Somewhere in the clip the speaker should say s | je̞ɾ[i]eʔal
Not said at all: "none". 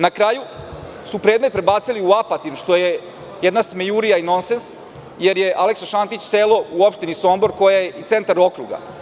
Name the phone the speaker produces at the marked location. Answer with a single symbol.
j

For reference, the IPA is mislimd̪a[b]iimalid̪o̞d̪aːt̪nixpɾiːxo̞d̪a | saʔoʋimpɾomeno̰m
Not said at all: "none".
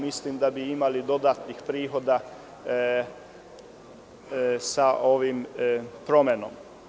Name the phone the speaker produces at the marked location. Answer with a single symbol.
b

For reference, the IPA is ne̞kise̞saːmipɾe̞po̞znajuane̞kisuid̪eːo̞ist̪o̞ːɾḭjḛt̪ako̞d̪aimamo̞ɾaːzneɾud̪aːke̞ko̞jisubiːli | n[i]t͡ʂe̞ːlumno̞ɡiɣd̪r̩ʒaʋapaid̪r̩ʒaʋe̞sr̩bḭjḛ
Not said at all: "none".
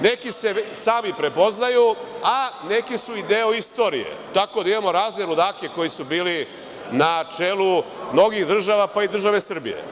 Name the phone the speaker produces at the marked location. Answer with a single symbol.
a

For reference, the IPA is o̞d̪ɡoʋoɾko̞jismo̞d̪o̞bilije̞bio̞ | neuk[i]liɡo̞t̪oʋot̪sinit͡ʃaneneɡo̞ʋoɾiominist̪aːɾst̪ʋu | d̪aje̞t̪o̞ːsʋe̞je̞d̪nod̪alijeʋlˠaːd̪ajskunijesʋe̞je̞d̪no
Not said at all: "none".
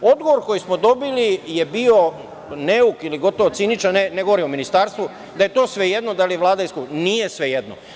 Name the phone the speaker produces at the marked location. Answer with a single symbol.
i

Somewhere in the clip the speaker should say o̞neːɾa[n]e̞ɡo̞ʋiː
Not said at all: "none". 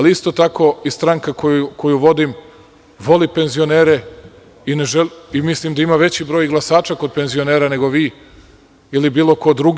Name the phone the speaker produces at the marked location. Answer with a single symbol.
n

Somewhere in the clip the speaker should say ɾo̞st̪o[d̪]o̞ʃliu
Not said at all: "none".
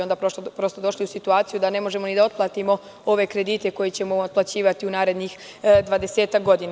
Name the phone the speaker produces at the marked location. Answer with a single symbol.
d̪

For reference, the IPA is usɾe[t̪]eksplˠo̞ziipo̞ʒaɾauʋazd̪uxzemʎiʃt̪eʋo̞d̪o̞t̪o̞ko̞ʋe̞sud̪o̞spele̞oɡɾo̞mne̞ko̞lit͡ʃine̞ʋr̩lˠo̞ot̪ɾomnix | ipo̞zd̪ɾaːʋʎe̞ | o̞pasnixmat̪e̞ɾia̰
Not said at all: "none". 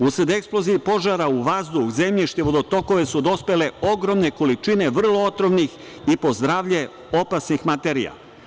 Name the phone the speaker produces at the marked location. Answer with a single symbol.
d̪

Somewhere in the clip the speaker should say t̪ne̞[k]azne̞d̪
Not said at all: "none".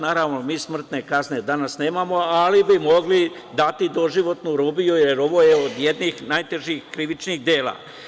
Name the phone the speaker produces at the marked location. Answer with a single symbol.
k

